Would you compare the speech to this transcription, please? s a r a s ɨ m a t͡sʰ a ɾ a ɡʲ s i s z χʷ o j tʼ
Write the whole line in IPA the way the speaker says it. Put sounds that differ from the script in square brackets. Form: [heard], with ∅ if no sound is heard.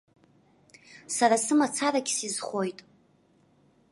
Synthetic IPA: s a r a s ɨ m a t͡sʰ a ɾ a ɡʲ s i [∅] z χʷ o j tʼ